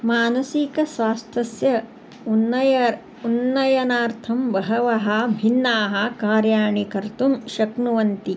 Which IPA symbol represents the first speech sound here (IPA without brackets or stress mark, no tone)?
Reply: m